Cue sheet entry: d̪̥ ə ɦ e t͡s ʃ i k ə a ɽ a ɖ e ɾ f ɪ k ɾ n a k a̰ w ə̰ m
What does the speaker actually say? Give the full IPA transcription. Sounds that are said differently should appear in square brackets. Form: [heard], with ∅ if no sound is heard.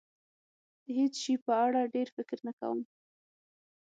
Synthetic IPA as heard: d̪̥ ə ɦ e t͡s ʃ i [p] ə a ɽ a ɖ e ɾ f ɪ k ɾ n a k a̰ w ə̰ m